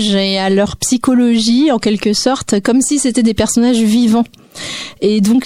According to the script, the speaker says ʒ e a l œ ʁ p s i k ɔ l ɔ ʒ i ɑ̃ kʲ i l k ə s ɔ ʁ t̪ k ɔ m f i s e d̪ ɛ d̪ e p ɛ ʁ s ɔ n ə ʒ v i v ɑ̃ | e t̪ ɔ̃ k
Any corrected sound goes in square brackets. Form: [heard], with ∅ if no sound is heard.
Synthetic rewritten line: ʒ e a l œ ʁ p s i k ɔ l ɔ ʒ i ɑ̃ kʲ [ɛ] l k ə s ɔ ʁ t̪ k ɔ m [s] i s e [t̪] ɛ d̪ e p ɛ ʁ s ɔ n [a] ʒ v i v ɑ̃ | e [d̪] ɔ̃ k